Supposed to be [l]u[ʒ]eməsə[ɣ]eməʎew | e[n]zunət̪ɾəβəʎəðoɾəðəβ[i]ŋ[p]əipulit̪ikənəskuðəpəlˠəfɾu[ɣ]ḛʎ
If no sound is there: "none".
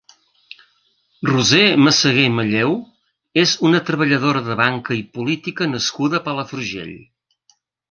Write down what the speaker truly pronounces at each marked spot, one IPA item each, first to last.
r, z, ɣ, none, a, k, ʒ

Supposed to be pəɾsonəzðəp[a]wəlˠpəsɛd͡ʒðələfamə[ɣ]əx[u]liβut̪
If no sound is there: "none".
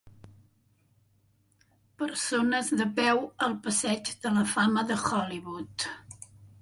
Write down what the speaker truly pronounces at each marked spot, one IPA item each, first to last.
ɛ, ð, ɔ

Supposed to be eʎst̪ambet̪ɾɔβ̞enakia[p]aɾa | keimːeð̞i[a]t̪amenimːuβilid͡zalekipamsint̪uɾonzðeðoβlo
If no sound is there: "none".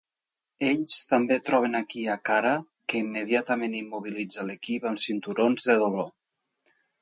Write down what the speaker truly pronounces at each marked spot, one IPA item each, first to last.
k, a

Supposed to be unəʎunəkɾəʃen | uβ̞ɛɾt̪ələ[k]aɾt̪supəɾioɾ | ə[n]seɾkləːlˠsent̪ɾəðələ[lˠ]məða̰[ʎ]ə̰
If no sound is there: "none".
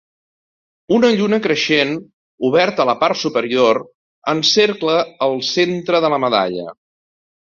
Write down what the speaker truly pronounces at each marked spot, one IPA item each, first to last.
p, n, none, ʎ

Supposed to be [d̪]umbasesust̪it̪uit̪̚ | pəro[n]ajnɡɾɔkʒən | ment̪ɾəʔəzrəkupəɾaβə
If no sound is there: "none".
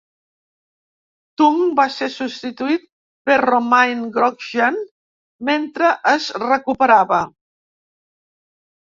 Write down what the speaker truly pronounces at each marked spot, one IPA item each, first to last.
t̪, m

